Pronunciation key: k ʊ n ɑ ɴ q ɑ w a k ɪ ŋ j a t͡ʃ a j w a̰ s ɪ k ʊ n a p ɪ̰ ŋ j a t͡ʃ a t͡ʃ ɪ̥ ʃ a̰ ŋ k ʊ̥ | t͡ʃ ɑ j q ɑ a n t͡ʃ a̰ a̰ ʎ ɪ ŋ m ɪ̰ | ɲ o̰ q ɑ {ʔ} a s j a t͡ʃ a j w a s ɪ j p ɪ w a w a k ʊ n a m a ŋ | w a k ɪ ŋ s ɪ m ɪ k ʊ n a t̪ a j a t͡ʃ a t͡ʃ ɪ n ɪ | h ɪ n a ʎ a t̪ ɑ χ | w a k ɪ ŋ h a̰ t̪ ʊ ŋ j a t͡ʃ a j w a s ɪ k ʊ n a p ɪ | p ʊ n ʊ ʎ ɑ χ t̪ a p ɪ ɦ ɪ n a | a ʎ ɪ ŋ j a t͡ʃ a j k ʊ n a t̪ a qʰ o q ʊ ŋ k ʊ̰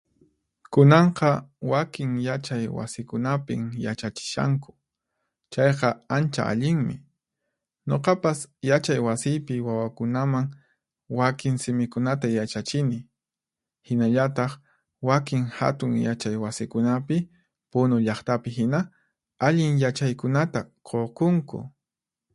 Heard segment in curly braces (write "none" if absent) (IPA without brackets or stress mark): p